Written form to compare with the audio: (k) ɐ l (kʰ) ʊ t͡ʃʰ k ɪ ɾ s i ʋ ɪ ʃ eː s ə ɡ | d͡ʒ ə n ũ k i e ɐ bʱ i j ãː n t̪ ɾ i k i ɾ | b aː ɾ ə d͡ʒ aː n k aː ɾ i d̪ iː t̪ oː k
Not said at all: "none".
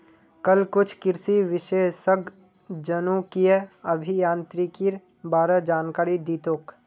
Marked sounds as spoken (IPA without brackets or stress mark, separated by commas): k, k